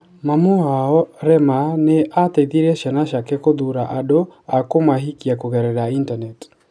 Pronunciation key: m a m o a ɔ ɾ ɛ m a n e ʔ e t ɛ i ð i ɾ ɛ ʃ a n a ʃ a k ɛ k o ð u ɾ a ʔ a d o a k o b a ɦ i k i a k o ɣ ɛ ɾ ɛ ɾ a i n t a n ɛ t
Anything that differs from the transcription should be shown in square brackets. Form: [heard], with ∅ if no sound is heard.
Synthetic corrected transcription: m a m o a ɔ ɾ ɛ m a n e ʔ [a] t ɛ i ð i ɾ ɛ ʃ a n a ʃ a k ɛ k o ð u ɾ a ʔ a d o a k o [m] a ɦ i k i a k o ɣ ɛ ɾ ɛ ɾ a i n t a n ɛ t